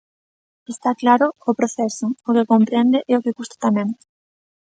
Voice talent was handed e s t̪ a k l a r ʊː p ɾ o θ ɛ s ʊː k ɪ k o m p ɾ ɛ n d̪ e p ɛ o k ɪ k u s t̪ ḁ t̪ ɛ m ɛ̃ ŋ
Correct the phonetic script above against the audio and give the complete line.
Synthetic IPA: e s t̪ a k l a ɾ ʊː p ɾ o θ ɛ s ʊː k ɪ k o m p ɾ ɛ n d̪ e ʔ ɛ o k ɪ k u s t̪ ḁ t̪ a m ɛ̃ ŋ